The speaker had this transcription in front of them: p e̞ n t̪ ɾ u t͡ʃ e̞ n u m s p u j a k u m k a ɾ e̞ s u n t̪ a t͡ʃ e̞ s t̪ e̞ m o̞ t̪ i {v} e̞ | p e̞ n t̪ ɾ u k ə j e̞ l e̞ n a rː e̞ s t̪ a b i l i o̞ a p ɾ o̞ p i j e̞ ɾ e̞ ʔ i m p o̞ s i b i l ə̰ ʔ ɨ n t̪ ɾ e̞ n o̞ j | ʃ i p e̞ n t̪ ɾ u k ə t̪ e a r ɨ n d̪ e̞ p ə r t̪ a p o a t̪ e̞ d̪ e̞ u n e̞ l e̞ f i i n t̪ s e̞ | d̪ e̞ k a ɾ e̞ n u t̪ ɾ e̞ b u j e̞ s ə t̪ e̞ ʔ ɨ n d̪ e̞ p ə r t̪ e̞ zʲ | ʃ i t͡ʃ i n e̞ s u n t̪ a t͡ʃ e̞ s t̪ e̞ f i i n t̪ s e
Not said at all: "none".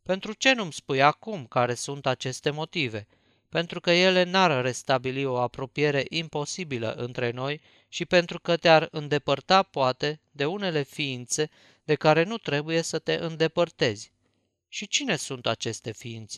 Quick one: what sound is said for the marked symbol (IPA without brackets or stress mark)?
v